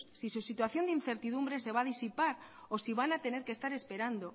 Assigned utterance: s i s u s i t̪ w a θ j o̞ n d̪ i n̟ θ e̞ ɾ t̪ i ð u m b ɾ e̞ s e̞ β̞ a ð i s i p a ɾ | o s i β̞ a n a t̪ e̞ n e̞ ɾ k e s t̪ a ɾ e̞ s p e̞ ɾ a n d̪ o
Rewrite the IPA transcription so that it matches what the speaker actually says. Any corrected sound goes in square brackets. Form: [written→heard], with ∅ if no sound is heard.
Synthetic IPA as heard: s i s u s i t̪ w a θ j o̞ n d̪ i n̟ θ e̞ ɾ t̪ i ð u m b ɾ e̞ s e̞ β̞ a ð i s i p a ɾ | o s i β̞ a n a t̪ e̞ n e̞ ɾ k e s t̪ a ɾ e̞ s p e̞ ɾ a n d̪ o

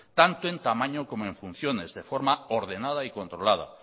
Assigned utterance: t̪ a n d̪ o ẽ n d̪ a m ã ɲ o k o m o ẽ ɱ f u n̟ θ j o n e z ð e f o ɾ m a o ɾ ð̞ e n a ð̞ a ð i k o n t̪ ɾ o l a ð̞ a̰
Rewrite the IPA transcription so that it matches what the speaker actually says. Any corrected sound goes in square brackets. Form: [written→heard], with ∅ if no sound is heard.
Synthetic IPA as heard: t̪ a n [d̪→t̪] o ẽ n [d̪→t̪] a m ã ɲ o k o m o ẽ ɱ f u n̟ θ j o n e z ð e f o ɾ m a o ɾ ð̞ e n a ð̞ a [ð→∅] i k o n t̪ ɾ o l a ð̞ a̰

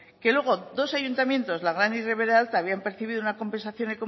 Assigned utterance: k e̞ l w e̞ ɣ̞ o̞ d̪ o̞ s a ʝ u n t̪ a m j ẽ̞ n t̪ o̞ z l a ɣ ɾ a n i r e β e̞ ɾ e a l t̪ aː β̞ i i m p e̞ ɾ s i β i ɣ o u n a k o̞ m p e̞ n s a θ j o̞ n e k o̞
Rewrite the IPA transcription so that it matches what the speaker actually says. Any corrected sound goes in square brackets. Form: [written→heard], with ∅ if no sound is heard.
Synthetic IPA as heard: k e̞ l w e̞ ɣ̞ o̞ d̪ o̞ s a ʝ u n t̪ a m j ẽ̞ n t̪ o̞ z l a ɣ ɾ a n i r e β e̞ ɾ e a l t̪ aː β̞ i [i→a] m p e̞ ɾ [s→θ] i β i [ɣ→ð] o u n a k o̞ m p e̞ n s a θ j o̞ n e k o̞

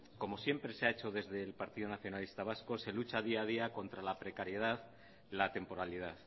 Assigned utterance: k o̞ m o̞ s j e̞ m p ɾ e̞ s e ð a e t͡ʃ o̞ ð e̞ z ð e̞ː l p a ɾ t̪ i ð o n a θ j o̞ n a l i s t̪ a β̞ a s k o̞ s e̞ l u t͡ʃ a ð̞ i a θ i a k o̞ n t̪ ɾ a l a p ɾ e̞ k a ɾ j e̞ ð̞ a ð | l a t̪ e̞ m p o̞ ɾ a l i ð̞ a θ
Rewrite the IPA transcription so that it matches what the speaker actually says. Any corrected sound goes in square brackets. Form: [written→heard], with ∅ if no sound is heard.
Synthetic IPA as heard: k o̞ m o̞ s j e̞ m p ɾ e̞ s e [ð→∅] a e t͡ʃ o̞ ð e̞ z ð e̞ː l p a ɾ t̪ i ð o n a θ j o̞ n a l i s t̪ a β̞ a s k o̞ s e̞ l u t͡ʃ a ð̞ i a [θ→ð] i a k o̞ n t̪ ɾ a l a p ɾ e̞ k a ɾ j e̞ ð̞ a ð | l a t̪ e̞ m p o̞ ɾ a l i ð̞ a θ

